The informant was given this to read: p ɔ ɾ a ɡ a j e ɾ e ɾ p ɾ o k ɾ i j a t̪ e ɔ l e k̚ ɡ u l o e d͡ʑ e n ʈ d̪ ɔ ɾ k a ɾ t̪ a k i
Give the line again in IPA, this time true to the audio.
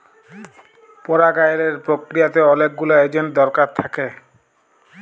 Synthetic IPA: p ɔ ɾ a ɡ a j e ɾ e ɾ p ɾ o k ɾ i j a t̪ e ɔ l e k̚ ɡ u l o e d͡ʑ e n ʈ d̪ ɔ ɾ k a ɾ t̪ʰ a k e